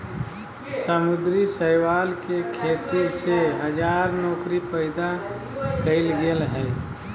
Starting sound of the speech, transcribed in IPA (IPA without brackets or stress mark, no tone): s